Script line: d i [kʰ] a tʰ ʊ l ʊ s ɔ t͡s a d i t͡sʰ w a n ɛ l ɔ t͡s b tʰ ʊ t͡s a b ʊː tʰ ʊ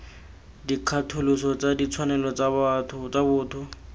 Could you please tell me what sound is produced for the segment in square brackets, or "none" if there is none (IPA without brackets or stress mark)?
kʰ